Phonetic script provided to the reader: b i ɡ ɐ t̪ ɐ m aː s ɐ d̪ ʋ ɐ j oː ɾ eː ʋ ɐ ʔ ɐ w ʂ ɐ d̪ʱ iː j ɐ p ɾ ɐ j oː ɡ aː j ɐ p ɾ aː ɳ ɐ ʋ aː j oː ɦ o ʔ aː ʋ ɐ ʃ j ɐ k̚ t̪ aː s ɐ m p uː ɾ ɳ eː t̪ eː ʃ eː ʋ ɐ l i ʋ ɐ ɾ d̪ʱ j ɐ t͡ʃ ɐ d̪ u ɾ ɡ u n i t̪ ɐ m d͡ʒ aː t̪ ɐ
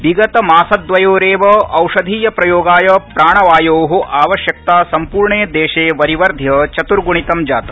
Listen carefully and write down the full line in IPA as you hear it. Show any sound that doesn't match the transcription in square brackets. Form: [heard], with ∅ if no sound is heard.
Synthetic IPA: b i ɡ ɐ t̪ ɐ m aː s ɐ d̪ ʋ ɐ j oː ɾ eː ʋ ɐ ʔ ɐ w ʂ ɐ d̪ʱ iː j ɐ p ɾ ɐ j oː ɡ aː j ɐ p ɾ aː ɳ ɐ ʋ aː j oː ɦ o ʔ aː ʋ ɐ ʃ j ɐ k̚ t̪ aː s ɐ m p uː ɾ ɳ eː [d̪] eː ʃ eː ʋ ɐ [ɾ] i ʋ ɐ ɾ d̪ʱ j ɐ t͡ʃ ɐ [t̪] u ɾ ɡ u [ɳ] i t̪ ɐ m d͡ʒ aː t̪ ɐ